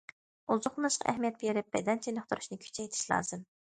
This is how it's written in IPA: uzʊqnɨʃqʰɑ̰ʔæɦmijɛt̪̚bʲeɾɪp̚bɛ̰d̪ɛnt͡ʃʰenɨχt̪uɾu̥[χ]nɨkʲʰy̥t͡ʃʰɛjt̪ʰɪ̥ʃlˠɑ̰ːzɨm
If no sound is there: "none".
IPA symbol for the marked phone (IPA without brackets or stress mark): ʃ